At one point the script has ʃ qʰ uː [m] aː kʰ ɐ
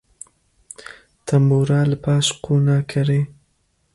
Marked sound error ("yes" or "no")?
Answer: yes